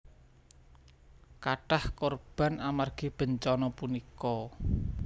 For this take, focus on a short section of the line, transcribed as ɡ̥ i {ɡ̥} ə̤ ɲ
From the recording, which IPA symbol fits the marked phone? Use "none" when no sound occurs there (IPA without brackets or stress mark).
b̥